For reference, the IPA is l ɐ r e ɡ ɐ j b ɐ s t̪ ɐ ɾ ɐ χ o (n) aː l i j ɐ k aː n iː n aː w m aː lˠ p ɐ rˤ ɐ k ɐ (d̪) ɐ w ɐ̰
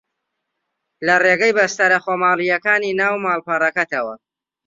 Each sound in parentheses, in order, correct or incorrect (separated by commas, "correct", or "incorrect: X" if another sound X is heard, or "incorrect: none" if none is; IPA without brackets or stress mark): incorrect: m, incorrect: t̪